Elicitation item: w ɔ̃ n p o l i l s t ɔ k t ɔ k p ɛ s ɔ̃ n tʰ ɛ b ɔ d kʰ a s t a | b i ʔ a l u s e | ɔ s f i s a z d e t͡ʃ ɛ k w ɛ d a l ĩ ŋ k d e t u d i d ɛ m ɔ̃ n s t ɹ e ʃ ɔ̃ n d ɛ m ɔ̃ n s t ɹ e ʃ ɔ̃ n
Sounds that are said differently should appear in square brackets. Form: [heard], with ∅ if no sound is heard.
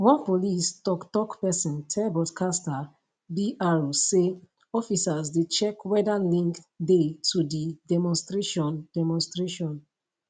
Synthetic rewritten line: w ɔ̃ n p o l i [∅] s t ɔ k t ɔ k p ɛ s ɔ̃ n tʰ ɛ b ɔ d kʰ a s t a | b i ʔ a [ɹ] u s e | ɔ [∅] f i s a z d e t͡ʃ ɛ k w ɛ d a l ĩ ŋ k d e t u d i d ɛ m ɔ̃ n s t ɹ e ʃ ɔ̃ n d ɛ m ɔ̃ n s t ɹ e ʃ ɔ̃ n